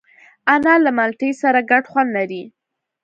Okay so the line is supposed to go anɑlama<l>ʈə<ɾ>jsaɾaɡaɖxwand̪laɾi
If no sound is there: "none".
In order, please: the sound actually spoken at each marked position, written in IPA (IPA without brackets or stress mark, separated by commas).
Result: l, none